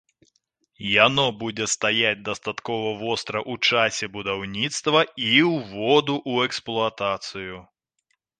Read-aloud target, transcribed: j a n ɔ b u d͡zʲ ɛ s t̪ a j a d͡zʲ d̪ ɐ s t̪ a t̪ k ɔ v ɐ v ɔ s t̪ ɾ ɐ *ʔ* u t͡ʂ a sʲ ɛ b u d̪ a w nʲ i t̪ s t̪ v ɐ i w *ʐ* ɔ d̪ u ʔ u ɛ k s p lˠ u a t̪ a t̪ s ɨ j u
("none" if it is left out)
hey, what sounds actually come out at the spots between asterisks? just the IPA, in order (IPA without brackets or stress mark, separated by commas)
ʔ, v